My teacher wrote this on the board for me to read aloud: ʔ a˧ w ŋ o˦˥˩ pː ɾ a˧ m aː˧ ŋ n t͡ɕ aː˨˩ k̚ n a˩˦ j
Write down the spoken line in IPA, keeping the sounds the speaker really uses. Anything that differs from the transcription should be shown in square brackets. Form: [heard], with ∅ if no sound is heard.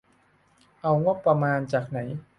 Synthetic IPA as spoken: ʔ a˧ w ŋ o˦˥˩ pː ɾ a˧ m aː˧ [∅] n t͡ɕ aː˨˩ k̚ n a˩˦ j